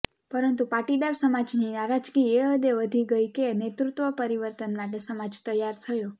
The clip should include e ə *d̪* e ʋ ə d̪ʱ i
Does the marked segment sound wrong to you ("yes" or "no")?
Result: no